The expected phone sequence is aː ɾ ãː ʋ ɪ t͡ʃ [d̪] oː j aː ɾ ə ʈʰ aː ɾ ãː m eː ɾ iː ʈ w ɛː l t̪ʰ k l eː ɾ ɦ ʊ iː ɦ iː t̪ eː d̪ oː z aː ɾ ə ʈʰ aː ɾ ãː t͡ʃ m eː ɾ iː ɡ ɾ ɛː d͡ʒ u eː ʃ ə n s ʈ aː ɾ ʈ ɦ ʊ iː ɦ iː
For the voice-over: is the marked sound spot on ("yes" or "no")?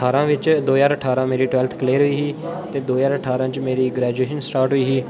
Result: yes